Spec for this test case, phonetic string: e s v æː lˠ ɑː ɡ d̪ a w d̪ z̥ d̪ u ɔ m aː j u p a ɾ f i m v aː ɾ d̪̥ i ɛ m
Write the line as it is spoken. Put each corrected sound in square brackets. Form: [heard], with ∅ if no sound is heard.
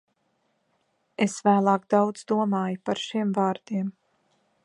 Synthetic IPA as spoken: e s v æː lˠ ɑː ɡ d̪ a w d̪ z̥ d̪ u ɔ m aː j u p a ɾ [ʃ] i m v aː ɾ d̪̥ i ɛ m